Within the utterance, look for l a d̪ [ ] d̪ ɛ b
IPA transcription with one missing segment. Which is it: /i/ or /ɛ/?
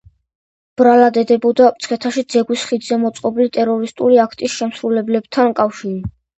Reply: ɛ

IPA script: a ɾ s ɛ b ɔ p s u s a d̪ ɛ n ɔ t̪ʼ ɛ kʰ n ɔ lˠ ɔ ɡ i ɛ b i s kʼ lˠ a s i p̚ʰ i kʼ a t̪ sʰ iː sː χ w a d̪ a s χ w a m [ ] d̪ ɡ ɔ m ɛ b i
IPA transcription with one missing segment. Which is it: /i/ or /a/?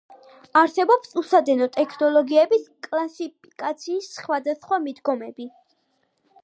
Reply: i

